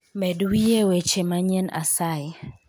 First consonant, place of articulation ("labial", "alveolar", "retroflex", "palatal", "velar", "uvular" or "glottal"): labial